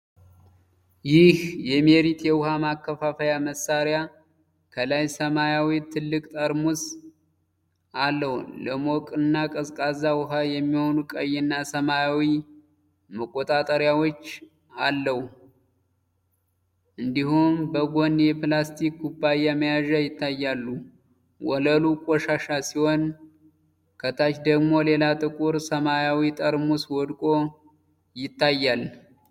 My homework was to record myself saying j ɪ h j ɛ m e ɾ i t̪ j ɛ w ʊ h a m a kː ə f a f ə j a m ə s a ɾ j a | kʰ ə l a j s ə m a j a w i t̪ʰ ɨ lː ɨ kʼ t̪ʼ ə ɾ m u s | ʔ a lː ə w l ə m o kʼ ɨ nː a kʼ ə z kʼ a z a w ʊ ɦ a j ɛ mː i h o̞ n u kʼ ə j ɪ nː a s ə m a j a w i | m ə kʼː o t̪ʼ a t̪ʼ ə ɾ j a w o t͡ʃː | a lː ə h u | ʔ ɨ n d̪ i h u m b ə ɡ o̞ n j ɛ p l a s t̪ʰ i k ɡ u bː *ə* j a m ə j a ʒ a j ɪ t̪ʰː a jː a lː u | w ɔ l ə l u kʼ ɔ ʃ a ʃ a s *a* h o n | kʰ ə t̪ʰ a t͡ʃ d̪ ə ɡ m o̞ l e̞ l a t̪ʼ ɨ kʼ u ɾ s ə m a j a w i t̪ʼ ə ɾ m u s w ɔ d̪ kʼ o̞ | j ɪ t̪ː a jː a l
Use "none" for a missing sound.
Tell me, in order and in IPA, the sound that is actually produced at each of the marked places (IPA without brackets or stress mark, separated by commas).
a, i